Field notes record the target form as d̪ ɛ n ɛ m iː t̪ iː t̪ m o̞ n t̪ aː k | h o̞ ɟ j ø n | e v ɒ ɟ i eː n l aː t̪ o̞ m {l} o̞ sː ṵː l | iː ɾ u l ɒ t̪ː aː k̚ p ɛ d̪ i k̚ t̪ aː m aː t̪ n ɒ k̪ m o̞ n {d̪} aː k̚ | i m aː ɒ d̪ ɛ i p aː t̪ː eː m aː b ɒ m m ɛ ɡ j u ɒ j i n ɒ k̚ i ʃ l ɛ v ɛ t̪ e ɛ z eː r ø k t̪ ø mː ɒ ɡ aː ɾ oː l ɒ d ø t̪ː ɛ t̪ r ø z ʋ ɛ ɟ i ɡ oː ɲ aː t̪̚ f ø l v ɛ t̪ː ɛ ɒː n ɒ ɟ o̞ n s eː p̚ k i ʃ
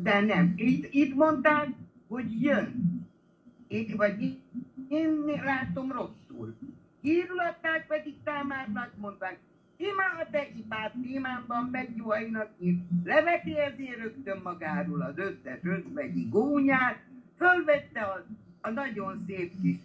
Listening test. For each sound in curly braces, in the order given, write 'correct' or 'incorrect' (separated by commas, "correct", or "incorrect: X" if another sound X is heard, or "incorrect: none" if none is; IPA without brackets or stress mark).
incorrect: r, incorrect: t̪